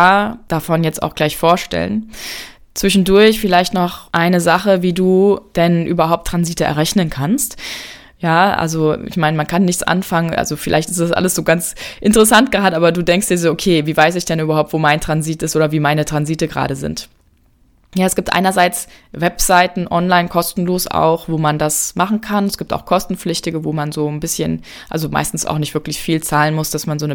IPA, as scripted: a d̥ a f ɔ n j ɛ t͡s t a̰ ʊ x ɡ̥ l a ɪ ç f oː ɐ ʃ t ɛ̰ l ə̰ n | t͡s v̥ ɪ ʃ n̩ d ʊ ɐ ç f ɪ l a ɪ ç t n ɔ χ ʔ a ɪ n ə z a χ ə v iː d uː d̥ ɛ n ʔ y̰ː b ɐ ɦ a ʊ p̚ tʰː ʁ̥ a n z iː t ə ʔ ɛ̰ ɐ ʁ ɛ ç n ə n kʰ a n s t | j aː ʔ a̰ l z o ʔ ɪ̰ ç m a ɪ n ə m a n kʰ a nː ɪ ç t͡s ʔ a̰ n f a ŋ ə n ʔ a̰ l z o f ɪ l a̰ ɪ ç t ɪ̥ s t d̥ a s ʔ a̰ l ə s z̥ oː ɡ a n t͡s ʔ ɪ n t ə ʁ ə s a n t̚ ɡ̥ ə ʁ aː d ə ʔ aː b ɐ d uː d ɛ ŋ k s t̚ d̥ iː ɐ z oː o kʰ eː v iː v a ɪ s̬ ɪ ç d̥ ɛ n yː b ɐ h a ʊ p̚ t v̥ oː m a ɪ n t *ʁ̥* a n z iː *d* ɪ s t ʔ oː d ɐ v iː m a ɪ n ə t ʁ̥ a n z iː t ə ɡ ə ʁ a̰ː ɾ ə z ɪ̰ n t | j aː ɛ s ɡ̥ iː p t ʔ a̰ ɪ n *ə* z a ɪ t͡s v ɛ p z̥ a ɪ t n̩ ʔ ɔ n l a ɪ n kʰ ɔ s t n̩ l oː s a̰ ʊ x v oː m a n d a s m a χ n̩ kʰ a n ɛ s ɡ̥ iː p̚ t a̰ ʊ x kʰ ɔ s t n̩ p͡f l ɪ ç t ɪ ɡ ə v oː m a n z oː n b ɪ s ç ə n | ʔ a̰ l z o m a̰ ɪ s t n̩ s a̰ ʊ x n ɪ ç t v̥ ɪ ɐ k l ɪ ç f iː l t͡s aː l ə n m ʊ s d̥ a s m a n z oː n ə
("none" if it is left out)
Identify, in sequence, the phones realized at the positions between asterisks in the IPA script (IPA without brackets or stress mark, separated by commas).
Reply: ʁ̥, t, ɐ